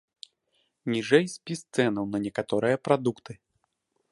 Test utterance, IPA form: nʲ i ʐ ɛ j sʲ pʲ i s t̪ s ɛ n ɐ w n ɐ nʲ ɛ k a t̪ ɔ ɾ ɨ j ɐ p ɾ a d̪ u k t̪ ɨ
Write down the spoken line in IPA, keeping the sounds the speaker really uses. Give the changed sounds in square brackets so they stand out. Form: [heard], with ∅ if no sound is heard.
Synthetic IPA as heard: nʲ i ʐ ɛ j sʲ pʲ i s t̪ s ɛ n ɐ w n ɐ nʲ ɛ k a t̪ ɔ ɾ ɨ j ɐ p ɾ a d̪ u k t̪ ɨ